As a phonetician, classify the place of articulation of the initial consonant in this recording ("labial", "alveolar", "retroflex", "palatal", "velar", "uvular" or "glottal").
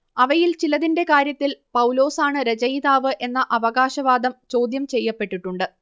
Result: labial